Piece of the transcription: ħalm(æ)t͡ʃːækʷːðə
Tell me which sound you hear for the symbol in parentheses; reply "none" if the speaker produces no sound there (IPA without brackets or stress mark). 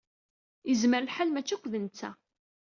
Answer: æ